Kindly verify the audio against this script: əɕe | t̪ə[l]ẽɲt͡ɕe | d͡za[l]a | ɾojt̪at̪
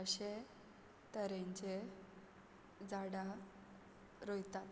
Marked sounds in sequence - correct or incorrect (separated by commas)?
incorrect, incorrect